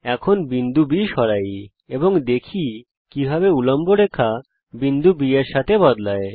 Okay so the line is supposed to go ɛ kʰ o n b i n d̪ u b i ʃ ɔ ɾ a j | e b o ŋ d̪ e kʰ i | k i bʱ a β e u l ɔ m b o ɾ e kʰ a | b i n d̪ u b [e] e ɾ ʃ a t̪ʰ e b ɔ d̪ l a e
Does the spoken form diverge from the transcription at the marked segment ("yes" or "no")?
yes